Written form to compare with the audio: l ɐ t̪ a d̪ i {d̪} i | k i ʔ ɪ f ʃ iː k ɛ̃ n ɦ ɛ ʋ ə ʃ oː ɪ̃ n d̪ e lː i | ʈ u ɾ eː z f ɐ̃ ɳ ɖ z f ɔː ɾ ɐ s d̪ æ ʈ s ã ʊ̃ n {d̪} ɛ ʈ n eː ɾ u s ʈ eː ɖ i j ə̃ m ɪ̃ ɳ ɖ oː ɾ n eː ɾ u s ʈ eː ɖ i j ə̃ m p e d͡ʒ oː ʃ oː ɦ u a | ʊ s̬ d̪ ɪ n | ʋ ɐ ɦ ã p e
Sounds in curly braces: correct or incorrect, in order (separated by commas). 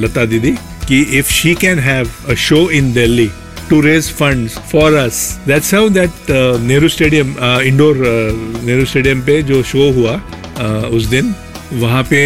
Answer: correct, correct